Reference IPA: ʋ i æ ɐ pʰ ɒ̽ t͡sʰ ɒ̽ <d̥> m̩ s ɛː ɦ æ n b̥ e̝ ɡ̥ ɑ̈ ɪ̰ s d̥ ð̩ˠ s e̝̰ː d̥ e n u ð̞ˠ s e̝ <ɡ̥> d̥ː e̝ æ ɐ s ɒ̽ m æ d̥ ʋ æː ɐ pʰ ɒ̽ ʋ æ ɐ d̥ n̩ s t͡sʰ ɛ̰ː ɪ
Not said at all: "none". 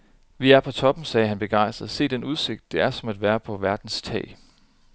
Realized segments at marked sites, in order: b̥, ɡ̥

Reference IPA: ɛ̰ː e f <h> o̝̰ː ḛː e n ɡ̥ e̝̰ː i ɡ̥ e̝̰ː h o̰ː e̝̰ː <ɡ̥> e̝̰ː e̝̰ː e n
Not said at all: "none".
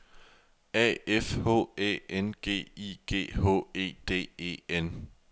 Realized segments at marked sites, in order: h, d̥

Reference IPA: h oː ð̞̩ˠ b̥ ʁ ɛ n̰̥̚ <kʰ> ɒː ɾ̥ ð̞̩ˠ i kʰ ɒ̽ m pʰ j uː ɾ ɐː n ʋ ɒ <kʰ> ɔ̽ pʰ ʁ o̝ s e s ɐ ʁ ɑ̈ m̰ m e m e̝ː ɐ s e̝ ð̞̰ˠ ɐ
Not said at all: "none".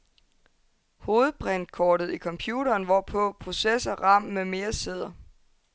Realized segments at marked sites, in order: kʰ, pʰ

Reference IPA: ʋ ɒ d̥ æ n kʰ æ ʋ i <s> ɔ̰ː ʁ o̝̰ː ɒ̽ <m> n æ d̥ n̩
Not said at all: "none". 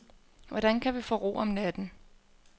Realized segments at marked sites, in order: f, m

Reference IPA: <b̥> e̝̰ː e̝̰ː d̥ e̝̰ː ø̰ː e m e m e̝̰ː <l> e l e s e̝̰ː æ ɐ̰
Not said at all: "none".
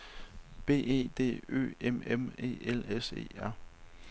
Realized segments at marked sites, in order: b̥, none

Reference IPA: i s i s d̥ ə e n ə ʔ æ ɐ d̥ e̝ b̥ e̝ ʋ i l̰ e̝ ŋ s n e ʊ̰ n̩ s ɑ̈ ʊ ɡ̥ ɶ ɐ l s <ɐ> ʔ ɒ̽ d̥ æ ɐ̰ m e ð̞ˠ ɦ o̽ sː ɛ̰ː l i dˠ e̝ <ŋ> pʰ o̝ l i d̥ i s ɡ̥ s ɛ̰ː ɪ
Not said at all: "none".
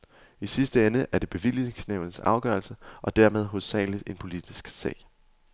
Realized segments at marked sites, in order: ə, n

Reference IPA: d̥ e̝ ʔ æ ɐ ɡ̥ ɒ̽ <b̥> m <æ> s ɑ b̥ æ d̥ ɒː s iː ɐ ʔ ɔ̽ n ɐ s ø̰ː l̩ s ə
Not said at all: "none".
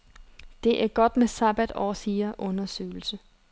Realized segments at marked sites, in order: d̥, e

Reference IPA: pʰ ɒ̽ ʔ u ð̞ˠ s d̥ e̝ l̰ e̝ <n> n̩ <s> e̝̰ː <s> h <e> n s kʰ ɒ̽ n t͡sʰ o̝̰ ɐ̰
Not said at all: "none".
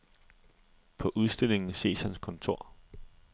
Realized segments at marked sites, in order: ŋ, s, s, æ

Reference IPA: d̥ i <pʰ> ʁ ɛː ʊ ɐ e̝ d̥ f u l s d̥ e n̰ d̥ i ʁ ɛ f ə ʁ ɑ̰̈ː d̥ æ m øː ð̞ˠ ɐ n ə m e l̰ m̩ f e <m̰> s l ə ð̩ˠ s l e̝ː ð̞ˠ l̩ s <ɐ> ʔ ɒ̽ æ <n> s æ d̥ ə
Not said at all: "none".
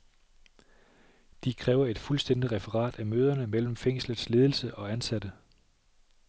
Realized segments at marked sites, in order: kʰ, ŋ̰, ə, n

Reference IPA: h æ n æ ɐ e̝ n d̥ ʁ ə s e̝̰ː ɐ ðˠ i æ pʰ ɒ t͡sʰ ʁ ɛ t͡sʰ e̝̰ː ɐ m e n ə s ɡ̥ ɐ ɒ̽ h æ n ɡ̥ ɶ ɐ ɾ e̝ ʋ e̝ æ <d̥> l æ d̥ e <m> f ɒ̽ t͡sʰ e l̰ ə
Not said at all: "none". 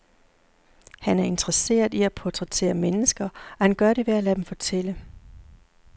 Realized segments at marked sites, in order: none, m

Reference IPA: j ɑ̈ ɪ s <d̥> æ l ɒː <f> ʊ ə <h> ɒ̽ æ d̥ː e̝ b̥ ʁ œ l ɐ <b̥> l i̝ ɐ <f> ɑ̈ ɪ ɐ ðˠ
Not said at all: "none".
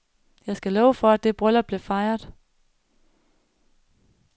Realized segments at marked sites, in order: ɡ̥, none, f, b̥, f

